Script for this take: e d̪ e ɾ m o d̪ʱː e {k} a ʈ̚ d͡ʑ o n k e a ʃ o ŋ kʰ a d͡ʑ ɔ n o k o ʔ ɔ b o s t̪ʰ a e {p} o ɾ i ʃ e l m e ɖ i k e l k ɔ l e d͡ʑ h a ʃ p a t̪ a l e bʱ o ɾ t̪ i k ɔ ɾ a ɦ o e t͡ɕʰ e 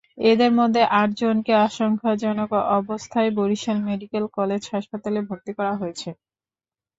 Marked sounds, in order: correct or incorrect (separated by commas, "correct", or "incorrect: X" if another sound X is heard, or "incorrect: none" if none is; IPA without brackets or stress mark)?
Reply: incorrect: ʔ, incorrect: b